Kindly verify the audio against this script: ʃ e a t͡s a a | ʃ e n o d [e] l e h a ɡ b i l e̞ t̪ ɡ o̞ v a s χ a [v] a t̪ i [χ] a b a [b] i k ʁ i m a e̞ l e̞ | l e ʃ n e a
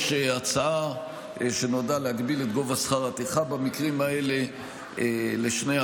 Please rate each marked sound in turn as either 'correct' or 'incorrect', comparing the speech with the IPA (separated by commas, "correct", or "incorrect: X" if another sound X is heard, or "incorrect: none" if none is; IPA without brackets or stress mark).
incorrect: a, incorrect: ʁ, correct, incorrect: m